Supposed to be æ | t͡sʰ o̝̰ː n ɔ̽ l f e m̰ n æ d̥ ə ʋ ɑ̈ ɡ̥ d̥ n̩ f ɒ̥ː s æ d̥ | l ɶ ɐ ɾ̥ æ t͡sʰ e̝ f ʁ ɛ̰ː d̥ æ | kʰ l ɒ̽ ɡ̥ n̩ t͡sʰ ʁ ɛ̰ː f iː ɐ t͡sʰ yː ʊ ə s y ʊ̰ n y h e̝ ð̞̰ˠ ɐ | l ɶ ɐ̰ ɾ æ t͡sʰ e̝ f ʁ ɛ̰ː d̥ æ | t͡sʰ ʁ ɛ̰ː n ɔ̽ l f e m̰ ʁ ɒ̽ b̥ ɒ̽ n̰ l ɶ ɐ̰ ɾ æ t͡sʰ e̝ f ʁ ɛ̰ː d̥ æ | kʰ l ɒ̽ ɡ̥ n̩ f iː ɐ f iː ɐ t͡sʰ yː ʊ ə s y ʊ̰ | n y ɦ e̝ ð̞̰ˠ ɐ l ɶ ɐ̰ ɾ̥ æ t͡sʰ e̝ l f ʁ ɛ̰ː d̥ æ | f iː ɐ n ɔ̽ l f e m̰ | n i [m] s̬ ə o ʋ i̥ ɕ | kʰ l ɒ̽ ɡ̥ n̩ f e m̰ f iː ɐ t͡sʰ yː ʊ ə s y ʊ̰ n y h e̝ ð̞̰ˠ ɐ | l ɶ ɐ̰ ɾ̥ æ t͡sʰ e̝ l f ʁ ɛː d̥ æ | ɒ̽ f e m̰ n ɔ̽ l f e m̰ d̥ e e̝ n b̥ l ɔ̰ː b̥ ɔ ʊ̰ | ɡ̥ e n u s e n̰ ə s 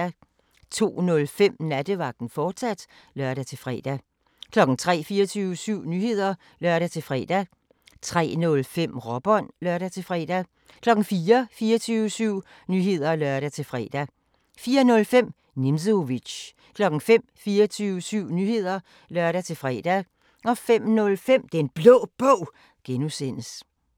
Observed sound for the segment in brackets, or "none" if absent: m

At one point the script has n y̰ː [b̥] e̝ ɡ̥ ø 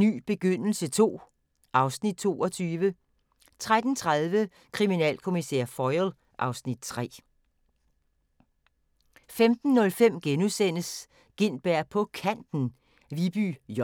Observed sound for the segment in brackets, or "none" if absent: b̥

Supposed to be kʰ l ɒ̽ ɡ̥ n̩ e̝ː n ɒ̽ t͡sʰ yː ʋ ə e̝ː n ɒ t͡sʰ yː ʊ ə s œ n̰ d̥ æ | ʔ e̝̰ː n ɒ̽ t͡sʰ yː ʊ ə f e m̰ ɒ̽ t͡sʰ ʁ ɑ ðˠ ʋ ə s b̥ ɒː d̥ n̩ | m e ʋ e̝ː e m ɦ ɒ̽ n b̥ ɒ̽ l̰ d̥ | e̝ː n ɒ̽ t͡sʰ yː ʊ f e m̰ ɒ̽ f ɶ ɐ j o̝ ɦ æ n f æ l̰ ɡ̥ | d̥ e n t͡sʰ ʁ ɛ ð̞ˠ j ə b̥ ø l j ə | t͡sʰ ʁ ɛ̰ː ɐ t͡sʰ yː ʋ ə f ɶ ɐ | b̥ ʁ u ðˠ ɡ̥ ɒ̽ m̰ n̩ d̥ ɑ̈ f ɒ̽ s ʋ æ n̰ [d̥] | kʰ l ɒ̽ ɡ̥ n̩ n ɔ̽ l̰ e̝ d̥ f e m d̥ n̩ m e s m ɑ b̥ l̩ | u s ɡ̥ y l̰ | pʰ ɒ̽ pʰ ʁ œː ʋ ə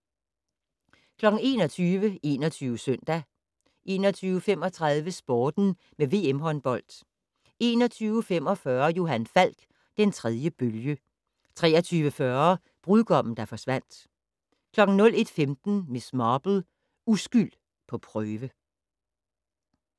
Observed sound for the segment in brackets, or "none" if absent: d̥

